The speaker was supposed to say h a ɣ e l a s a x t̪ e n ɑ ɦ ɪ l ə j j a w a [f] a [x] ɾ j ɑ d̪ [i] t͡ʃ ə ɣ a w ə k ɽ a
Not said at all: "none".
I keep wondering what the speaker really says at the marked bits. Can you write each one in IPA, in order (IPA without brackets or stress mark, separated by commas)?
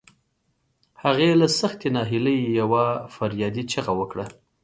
f, none, i